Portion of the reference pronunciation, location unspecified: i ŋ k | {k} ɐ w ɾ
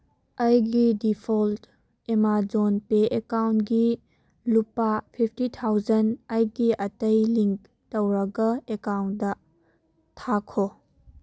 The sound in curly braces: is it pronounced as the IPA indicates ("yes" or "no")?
no